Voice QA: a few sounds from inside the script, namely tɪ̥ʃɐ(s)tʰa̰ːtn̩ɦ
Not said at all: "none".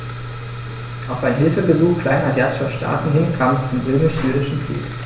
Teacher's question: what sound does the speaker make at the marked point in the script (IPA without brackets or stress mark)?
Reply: ʃ